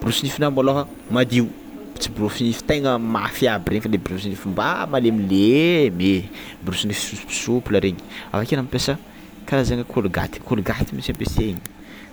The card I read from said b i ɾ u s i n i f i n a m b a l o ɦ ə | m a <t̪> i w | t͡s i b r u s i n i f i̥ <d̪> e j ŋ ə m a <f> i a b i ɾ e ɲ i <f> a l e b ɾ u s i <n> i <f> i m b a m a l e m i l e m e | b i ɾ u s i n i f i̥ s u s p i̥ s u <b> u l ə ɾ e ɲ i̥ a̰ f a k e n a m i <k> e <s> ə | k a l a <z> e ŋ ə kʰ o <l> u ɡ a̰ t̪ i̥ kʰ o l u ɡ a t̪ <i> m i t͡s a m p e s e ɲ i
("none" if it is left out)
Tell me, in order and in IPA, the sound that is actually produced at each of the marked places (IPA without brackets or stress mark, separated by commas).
d̪, t̪, f, f, n, f, p, p, s, z, l, i